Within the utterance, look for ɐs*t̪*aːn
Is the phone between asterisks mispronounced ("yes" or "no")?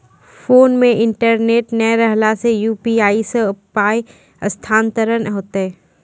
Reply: yes